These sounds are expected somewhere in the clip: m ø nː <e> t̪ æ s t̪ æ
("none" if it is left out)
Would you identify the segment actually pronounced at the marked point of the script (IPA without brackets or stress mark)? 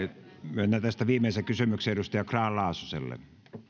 æ